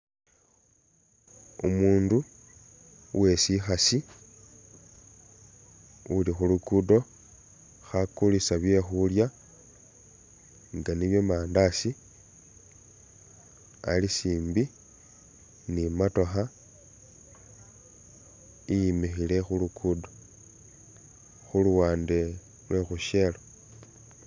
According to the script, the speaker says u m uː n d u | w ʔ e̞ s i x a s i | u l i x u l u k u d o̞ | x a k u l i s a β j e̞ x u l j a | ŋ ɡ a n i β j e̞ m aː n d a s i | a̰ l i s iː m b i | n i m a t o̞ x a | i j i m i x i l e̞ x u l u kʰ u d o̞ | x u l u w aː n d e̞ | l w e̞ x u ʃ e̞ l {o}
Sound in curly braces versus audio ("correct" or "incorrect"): correct